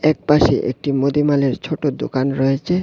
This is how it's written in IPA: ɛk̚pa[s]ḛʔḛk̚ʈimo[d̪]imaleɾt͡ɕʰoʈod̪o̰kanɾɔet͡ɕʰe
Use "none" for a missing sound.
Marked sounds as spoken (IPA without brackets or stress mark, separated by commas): ʃ, d̪